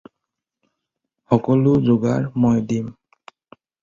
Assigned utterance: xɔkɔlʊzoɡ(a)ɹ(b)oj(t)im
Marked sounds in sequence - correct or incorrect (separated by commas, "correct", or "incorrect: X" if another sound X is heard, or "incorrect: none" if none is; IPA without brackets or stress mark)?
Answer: correct, incorrect: m, incorrect: d